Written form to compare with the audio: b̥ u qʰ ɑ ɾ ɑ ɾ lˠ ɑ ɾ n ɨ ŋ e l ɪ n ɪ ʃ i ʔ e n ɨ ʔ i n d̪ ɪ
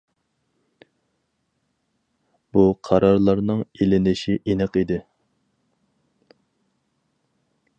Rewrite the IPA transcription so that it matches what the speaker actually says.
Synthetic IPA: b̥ u qʰ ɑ ɾ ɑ ɾ lˠ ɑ ɾ n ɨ ŋ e l ɪ n ɪ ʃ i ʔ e n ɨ q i d̪ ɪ